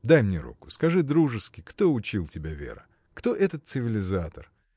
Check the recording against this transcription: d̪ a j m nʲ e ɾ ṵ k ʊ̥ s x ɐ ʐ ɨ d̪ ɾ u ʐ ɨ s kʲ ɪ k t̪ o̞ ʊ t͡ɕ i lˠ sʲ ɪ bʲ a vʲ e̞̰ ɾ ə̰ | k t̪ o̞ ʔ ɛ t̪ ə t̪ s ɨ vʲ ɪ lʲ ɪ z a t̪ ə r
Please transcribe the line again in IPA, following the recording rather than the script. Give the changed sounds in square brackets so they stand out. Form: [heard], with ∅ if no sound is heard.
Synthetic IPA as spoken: d̪ a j m nʲ e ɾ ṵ k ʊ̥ s [k] ɐ ʐ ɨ d̪ ɾ u ʐ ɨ s kʲ ɪ k t̪ o̞ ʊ t͡ɕ i lˠ [tʲ] ɪ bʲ a vʲ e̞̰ ɾ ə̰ | k t̪ o̞ ʔ ɛ t̪ ə t̪ s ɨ vʲ ɪ lʲ ɪ z a t̪ ə r